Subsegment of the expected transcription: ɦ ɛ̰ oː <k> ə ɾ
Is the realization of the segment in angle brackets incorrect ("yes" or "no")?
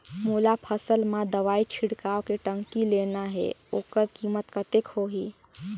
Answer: no